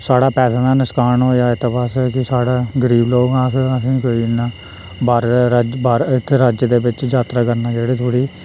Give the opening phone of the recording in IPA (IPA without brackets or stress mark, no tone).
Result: s